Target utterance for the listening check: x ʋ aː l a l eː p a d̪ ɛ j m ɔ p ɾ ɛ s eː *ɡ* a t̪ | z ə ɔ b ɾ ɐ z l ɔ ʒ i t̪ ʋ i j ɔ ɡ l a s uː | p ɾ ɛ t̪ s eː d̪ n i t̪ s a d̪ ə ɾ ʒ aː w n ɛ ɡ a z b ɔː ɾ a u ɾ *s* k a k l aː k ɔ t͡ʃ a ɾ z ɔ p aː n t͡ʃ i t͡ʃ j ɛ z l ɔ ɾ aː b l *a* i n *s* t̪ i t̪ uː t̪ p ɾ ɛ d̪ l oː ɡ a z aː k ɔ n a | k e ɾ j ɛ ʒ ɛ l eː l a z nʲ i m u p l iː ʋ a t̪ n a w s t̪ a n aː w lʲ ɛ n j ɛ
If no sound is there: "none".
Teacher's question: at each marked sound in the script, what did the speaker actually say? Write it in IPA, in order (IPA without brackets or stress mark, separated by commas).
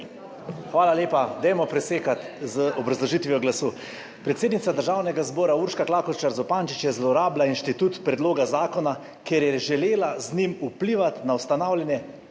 k, ʃ, a, ʃ